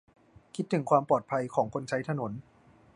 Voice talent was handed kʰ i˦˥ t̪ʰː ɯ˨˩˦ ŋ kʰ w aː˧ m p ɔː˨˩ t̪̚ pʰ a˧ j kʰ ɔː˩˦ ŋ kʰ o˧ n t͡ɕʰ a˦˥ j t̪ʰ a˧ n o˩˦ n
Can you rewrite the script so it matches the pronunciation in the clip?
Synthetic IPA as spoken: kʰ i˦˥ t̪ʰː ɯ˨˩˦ ŋ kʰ w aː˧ m p ɔː˨˩ t̪̚ pʰ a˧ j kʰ ɔː˩˦ ŋ kʰ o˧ n t͡ɕʰ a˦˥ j t̪ʰ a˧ n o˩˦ n